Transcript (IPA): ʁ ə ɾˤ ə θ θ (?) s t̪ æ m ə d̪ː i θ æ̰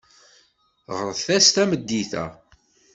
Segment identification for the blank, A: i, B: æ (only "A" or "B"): B